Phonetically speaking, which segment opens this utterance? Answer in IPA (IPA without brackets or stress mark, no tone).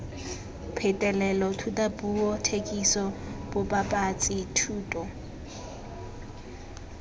pʰ